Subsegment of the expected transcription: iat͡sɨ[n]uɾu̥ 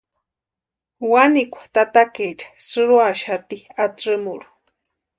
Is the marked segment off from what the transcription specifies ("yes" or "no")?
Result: yes